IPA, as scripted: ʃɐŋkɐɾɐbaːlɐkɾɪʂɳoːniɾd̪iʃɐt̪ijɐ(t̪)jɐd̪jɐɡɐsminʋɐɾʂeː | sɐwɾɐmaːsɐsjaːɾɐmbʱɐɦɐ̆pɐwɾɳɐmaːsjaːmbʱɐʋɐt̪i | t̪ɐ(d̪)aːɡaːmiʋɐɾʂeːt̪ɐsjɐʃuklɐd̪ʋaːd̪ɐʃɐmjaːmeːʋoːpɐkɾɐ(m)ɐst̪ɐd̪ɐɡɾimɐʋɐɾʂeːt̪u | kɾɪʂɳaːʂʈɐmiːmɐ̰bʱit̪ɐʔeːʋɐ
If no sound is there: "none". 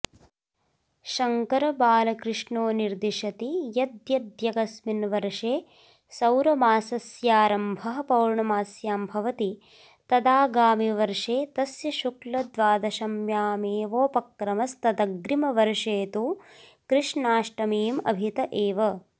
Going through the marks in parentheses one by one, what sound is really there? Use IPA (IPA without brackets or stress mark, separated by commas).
d̪, d̪, m